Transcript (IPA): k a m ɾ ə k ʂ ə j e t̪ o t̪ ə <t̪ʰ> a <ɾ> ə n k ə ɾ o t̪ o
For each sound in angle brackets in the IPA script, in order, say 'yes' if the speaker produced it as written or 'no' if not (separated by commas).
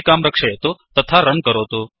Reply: yes, yes